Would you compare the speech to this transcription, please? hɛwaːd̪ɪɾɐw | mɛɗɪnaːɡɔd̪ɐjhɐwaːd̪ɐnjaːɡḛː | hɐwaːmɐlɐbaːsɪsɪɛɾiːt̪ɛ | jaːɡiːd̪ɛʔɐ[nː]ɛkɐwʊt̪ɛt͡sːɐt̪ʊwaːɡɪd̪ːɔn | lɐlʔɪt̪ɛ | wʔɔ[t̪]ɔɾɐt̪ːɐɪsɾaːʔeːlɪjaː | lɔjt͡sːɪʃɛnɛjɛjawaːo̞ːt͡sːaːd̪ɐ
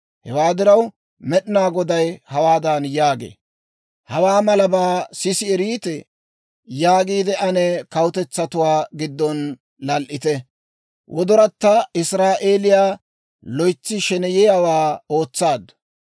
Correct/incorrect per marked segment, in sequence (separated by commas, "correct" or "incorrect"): incorrect, incorrect